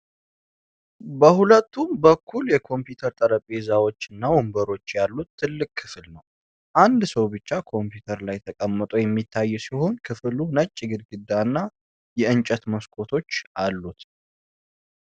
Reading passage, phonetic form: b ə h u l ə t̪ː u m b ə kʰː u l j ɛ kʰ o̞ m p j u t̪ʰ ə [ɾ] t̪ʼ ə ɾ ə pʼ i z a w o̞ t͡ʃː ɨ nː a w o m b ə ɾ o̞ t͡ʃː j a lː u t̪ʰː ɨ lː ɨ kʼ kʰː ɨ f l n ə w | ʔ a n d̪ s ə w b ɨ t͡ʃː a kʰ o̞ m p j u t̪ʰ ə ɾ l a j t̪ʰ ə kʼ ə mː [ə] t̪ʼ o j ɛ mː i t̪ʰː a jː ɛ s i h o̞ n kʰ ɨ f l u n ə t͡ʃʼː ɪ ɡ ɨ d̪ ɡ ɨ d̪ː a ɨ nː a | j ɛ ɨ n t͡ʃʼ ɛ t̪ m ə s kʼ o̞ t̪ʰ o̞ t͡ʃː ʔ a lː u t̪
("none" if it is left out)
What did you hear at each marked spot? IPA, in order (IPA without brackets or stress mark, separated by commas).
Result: ɾ, ə